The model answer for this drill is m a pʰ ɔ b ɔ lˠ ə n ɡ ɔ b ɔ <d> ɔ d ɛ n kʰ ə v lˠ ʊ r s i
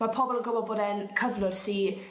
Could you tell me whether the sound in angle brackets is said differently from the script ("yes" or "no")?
yes